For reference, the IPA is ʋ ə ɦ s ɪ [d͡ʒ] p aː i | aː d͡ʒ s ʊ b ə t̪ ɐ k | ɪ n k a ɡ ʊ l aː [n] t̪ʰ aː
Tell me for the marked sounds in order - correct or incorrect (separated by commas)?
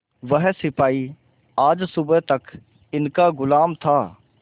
incorrect, incorrect